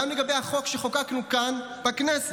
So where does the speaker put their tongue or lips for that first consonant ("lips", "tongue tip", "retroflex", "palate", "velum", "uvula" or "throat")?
lips